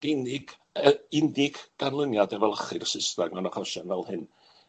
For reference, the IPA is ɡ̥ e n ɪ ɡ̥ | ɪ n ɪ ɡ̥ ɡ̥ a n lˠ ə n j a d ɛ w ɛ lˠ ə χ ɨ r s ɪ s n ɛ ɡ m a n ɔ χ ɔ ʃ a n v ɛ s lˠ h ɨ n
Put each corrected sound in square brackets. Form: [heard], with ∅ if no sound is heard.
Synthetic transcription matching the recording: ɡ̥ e n ɪ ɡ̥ | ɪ n ɪ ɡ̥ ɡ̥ a n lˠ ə n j a d ɛ [v] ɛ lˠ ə χ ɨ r s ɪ s n [a] ɡ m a n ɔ χ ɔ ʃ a n v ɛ [∅] lˠ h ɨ n